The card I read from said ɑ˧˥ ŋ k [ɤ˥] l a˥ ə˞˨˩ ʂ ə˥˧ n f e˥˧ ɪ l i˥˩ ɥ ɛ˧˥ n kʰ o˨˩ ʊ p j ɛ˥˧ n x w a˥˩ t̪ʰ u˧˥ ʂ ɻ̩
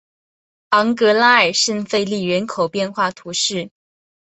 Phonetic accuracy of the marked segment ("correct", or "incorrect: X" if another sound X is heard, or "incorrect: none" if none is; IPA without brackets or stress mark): incorrect: ɤ˧˥